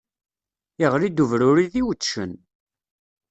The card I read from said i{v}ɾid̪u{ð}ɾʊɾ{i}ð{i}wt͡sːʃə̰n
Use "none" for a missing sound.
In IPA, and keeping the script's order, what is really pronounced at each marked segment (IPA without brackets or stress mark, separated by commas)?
ʁ, v, i, i